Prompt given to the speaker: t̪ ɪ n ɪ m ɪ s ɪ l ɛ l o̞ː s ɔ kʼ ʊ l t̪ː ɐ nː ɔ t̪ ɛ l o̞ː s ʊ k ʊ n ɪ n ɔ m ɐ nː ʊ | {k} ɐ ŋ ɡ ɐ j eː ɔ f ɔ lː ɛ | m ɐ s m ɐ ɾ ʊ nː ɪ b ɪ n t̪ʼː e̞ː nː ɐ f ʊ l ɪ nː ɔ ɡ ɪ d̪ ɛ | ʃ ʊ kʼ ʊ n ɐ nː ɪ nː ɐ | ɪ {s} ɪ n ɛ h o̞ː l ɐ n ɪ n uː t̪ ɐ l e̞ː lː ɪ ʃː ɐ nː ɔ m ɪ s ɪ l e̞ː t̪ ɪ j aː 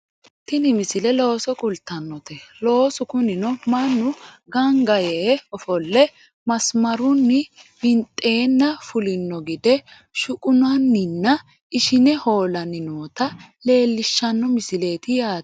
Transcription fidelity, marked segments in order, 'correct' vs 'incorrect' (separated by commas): incorrect, incorrect